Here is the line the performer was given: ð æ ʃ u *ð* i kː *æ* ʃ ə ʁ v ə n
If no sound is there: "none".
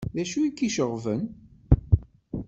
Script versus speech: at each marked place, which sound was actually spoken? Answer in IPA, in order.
none, i

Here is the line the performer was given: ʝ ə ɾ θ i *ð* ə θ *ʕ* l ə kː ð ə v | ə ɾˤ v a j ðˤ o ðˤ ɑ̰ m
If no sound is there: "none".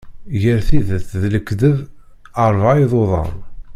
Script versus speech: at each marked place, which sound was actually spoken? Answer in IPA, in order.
ð, ð

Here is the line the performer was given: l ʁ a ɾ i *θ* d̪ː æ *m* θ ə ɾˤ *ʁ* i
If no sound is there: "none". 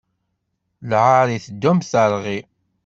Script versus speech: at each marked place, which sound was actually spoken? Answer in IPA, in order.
θ, m, ʁ

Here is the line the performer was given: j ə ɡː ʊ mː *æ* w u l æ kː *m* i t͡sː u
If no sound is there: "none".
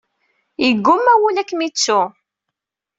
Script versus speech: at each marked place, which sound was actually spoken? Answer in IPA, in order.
æ, m

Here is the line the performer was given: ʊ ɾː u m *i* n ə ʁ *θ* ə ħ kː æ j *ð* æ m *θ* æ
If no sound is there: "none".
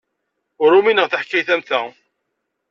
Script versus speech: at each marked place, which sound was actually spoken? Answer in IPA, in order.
i, θ, θ, θ

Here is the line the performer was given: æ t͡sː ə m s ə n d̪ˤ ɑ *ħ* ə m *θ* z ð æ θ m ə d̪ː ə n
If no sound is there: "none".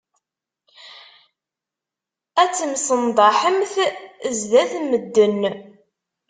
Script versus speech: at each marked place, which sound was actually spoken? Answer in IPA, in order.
ħ, θ

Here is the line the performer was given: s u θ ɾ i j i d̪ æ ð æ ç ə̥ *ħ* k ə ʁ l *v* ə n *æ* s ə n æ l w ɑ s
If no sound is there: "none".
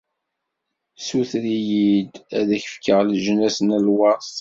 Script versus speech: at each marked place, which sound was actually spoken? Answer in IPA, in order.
f, ʒ, æ

